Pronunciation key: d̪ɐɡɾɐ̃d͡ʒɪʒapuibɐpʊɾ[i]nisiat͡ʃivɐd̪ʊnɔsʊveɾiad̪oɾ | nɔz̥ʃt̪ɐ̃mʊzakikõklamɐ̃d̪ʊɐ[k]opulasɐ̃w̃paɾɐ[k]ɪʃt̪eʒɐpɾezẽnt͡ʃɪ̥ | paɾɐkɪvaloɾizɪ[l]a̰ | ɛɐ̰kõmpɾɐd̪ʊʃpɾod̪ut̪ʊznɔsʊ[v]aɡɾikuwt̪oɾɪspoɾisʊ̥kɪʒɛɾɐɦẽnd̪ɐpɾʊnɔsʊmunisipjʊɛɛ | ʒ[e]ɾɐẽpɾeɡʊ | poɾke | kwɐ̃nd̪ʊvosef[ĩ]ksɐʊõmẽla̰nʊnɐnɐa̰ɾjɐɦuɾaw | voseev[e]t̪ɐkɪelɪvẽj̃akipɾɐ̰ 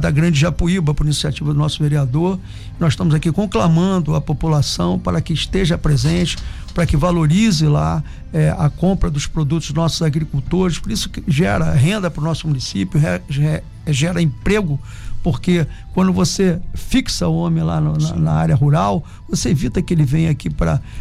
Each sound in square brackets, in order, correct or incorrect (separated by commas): correct, incorrect, correct, correct, incorrect, incorrect, incorrect, incorrect